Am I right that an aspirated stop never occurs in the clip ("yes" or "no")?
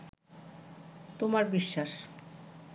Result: yes